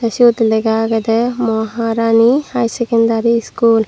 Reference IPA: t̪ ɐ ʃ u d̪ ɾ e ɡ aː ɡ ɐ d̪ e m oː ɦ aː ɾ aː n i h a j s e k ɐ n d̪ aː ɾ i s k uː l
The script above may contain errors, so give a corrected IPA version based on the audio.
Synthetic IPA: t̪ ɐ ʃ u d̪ l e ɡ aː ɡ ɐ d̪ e m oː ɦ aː ɾ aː n i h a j s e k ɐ n d̪ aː ɾ i s k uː l

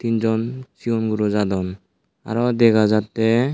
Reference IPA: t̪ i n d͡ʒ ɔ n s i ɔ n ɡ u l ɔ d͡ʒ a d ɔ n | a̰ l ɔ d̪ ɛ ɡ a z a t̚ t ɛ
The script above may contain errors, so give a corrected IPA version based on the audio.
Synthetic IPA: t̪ i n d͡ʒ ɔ n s i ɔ n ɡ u ɾ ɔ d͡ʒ a d ɔ n | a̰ ɾ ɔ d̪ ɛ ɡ a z a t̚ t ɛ

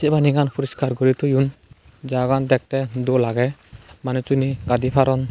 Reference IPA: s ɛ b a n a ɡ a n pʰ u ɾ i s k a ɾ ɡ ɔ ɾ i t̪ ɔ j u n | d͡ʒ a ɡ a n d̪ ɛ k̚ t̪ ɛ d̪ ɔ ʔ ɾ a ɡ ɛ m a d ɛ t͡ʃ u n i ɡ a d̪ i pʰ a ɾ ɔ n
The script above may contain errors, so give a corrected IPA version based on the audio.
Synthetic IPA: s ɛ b a n i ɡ a n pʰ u ɾ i s k a ɾ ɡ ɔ ɾ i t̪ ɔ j u n | d͡ʒ a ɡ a n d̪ ɛ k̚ t̪ ɛ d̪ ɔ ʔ l a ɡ ɛ m a n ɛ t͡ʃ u n i ɡ a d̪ i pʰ a ɾ ɔ n

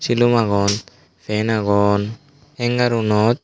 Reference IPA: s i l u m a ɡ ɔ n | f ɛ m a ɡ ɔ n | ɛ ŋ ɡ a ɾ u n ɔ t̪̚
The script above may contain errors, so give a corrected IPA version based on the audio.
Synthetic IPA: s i l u m a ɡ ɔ n | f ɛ n a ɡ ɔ n | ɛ ŋ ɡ a ɾ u n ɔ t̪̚

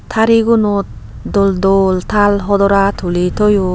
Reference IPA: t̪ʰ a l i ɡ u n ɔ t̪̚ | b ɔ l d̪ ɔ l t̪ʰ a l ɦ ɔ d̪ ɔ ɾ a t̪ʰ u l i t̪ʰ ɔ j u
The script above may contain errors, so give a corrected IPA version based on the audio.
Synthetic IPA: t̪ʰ a ɾ i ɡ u n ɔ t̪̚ | d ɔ l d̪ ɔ l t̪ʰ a l ɦ ɔ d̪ ɔ ɾ a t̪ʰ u l i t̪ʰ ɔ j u

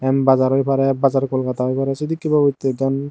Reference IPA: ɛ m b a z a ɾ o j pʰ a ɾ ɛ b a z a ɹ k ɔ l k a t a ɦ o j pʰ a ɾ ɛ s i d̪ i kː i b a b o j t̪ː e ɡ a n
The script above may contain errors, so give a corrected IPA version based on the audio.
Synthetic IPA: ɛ m b a z a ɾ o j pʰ a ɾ ɛ b a z a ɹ k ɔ l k a t a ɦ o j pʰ a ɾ ɛ s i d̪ i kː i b a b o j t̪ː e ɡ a n

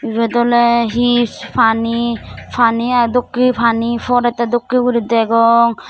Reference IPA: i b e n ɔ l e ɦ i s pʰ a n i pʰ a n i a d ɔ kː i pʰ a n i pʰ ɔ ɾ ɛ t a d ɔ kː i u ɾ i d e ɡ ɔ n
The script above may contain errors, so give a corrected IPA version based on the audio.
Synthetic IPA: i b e d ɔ l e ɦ i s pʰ a n i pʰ a n i a d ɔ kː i pʰ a n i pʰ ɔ ɾ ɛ t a d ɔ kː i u ɾ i d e ɡ ɔ ŋ

